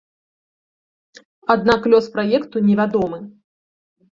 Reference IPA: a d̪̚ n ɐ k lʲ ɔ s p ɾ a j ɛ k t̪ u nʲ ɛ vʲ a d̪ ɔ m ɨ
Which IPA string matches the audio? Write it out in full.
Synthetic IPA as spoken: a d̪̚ n a k lʲ ɔ s p ɾ a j ɛ k t̪ u nʲ ɛ vʲ a d̪ ɔ m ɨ